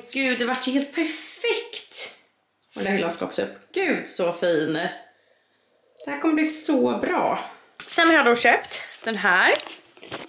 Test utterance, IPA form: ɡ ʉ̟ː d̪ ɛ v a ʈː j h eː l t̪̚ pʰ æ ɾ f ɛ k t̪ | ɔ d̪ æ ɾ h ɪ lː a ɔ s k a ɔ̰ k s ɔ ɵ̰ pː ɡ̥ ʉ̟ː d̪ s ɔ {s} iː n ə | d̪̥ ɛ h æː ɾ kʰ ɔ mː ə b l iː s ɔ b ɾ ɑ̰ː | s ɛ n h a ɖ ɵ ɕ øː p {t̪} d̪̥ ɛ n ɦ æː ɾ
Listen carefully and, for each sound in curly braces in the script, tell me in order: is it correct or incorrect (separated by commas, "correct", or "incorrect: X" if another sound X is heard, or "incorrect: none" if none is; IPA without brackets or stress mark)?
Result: incorrect: f, correct